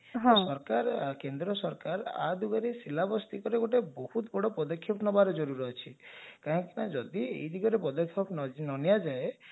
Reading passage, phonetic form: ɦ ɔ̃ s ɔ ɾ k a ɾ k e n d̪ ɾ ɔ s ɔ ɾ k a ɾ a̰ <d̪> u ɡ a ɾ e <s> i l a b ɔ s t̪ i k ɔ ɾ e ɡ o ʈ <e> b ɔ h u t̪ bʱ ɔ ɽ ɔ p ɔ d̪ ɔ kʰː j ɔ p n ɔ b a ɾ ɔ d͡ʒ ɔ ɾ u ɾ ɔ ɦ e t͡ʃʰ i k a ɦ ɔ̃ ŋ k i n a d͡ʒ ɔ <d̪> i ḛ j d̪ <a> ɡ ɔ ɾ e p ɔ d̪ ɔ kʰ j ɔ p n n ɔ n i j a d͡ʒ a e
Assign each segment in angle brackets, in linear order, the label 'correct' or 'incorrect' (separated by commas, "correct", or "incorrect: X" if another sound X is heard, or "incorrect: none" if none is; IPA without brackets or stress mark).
correct, correct, correct, correct, incorrect: i